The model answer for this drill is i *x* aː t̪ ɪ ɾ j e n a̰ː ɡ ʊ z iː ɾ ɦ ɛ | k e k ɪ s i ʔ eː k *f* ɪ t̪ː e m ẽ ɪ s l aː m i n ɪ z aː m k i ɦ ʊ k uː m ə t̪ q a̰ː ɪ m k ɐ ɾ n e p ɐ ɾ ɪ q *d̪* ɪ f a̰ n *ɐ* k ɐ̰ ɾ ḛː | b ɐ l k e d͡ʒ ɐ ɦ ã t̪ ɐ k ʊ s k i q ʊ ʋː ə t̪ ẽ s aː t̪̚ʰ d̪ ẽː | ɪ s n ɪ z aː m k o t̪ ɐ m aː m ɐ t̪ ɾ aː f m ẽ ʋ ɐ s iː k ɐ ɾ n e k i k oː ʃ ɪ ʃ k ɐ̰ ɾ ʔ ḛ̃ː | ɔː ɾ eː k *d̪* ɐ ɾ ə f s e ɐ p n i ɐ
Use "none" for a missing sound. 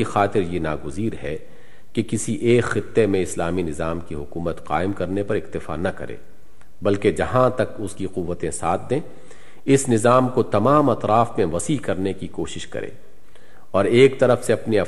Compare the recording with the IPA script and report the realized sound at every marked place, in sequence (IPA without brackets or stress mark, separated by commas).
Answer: x, x, t̪, ɐ, t̪